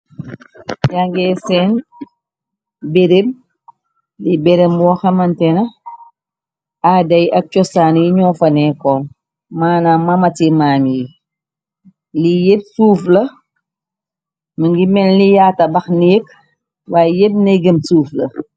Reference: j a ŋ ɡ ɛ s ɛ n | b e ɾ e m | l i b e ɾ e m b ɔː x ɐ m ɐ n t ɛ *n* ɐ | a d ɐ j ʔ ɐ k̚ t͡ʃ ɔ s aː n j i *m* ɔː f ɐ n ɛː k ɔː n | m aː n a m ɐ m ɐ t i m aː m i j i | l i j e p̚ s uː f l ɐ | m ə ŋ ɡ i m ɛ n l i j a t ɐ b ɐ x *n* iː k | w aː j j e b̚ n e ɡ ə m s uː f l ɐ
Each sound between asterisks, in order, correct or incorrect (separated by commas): correct, incorrect, correct